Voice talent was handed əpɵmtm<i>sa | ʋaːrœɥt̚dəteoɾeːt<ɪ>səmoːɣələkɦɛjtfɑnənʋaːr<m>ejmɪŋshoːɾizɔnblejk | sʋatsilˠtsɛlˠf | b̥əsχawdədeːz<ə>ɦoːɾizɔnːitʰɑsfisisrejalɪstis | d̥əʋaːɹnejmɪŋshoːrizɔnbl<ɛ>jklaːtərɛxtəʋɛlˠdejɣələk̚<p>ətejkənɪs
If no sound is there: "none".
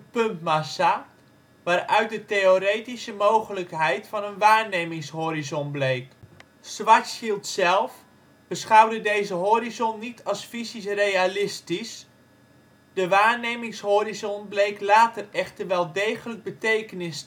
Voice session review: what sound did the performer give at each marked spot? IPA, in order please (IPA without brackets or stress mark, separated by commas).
a, i, n, ə, e, b